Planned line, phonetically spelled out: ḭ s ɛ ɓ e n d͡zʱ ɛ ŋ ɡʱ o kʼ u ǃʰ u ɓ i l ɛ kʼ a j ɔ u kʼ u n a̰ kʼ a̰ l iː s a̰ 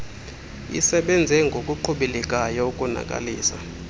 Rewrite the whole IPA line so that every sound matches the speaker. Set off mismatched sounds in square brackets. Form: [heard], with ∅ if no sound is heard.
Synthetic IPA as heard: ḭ s ɛ ɓ [ɛ] n d͡zʱ ɛ ŋ ɡʱ o kʼ u ǃʰ u ɓ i l ɛ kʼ a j ɔ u kʼ u n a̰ kʼ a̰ l iː s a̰

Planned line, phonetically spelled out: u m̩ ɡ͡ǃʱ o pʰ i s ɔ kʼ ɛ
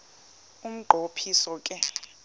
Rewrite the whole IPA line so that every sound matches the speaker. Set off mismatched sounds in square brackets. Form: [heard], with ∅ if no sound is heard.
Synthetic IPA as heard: u m̩ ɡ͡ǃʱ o pʰ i s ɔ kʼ ɛ

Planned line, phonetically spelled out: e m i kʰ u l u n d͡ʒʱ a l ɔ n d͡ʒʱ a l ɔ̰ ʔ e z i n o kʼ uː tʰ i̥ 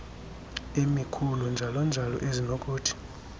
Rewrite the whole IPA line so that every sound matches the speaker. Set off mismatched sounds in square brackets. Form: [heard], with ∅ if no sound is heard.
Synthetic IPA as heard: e m i kʰ u l u n d͡ʒʱ a l ɔ n d͡ʒʱ a l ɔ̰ ʔ e z i n o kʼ uː tʰ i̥

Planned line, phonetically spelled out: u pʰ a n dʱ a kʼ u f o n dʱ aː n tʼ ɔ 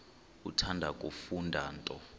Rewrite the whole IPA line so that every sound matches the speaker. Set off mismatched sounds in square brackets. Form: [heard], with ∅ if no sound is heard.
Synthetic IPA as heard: u [tʰ] a n dʱ a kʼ u f [u] n dʱ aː n tʼ ɔ

